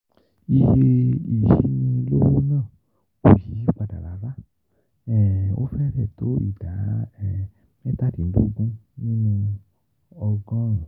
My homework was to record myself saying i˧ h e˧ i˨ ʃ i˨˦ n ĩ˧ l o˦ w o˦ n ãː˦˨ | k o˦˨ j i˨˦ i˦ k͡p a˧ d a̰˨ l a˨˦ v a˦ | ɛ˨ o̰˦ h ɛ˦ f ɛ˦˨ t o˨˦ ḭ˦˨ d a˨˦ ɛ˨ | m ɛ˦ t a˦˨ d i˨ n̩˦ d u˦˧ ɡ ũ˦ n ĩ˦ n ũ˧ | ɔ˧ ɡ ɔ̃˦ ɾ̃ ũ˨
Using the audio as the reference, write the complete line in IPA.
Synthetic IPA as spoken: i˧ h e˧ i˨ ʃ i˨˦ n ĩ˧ l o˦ w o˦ n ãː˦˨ | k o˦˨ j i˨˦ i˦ k͡p a˧ d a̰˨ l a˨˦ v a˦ | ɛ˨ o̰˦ f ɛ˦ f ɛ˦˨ t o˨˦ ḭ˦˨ d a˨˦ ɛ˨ | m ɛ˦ t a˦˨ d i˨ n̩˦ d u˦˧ ɡ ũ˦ n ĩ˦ n ũ˧ | ɔ˧ ɡ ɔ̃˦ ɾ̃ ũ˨